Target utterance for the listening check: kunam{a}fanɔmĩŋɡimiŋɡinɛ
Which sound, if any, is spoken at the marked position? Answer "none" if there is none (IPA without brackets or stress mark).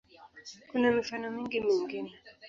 i